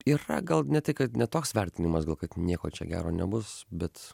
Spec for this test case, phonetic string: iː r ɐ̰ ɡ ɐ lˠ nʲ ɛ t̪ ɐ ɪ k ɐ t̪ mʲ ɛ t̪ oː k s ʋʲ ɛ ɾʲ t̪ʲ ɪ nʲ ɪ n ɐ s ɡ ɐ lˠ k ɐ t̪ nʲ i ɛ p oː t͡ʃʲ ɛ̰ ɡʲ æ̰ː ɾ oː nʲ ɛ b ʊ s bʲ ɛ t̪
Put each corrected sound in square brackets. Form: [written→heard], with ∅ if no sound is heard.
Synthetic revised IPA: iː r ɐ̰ ɡ ɐ lˠ nʲ ɛ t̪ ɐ ɪ k ɐ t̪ [mʲ→nʲ] ɛ t̪ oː k s ʋʲ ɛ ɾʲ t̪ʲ ɪ nʲ ɪ [n→m] ɐ s ɡ ɐ lˠ k ɐ t̪ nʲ i ɛ [p→k] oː t͡ʃʲ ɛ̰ ɡʲ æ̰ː ɾ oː nʲ ɛ b ʊ s bʲ ɛ t̪